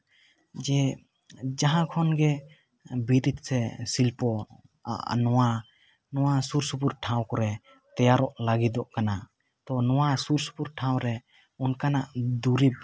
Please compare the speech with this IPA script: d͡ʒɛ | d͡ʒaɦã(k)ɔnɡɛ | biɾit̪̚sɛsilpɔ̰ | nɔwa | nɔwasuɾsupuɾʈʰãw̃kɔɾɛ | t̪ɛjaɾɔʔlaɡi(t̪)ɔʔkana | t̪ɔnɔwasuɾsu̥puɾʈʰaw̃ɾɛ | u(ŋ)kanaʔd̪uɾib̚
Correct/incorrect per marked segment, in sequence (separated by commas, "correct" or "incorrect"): incorrect, incorrect, incorrect